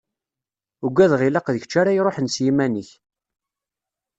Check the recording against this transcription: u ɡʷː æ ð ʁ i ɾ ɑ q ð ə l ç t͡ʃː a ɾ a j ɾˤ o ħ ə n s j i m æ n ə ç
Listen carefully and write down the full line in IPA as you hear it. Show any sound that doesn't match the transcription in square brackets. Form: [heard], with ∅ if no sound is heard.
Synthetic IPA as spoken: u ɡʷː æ ð ʁ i [l] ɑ q ð ə [∅] ç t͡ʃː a ɾ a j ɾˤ o ħ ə n s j i m æ n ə ç